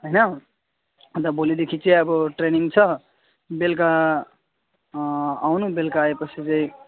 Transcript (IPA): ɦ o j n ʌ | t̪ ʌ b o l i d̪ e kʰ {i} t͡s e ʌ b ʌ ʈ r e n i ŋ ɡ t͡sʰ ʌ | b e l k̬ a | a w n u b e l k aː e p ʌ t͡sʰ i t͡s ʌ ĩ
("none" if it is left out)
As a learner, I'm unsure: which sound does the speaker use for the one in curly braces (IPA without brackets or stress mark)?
i